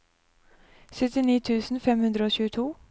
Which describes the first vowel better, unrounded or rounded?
rounded